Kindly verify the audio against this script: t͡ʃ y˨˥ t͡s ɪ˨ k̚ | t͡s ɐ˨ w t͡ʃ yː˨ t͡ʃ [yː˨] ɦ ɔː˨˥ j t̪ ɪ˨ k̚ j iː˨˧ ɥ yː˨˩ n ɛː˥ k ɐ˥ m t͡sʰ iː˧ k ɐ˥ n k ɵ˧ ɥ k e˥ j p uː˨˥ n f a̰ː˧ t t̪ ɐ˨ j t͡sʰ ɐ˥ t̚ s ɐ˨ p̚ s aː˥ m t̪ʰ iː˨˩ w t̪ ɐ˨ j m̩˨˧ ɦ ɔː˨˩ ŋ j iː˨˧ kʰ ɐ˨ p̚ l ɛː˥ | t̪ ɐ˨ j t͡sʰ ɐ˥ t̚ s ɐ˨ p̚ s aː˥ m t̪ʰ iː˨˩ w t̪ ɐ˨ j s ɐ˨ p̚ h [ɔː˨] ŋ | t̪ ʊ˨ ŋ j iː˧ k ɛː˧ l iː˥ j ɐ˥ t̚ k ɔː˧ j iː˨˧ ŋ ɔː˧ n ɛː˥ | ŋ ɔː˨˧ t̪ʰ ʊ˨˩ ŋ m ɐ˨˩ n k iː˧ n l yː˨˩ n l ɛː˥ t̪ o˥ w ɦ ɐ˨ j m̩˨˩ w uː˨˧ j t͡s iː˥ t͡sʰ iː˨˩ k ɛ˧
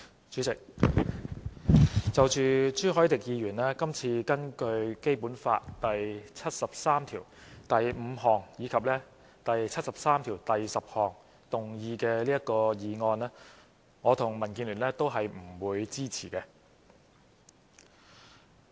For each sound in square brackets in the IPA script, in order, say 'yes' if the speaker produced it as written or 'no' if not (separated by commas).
no, yes